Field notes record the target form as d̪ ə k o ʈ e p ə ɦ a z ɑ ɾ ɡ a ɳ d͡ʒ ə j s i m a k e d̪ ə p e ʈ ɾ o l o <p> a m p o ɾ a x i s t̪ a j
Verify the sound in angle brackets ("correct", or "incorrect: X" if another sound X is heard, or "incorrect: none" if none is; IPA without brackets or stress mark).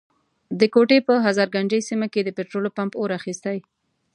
correct